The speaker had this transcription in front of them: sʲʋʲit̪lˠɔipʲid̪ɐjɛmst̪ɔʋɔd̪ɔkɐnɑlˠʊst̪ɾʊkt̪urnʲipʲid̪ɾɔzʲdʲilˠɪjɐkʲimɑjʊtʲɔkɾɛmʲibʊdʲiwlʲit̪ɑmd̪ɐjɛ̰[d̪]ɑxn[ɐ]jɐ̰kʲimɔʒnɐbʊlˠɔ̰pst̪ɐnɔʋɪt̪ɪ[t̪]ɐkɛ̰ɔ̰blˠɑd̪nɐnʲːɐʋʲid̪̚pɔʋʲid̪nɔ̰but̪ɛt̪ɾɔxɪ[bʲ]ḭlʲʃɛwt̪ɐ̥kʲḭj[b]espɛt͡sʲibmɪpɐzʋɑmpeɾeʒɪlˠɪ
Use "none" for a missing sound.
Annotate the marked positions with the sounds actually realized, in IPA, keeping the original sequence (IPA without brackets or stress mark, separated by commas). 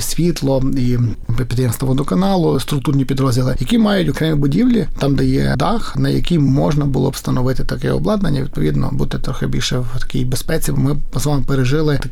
d̪, ɐ, t̪, bʲ, b